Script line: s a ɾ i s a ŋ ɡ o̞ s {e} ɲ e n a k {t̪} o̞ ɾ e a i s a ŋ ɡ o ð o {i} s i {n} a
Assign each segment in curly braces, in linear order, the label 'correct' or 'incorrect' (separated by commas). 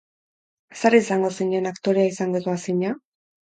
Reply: incorrect, correct, incorrect, incorrect